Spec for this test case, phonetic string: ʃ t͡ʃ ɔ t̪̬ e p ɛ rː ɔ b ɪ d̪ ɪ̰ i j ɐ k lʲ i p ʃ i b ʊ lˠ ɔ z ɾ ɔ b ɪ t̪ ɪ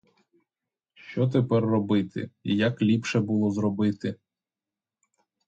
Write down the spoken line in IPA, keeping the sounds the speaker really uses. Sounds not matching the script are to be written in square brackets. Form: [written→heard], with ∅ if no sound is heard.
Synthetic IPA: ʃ t͡ʃ ɔ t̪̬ e p ɛ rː ɔ b ɪ [d̪→t̪] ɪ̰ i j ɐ k lʲ i p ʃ [i→ɛ] b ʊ lˠ ɔ z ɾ ɔ b ɪ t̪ ɪ